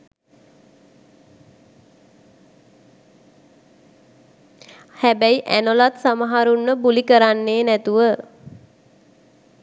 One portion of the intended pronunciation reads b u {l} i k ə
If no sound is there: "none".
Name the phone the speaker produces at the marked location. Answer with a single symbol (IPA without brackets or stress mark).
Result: l